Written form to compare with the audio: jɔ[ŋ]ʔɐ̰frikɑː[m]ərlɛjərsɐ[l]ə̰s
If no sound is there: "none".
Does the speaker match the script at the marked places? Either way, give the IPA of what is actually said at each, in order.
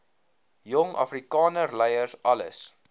ŋ, n, l

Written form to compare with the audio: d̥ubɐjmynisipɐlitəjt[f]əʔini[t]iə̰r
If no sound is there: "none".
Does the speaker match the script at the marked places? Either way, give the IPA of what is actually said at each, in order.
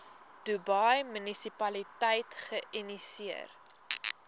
χ, s

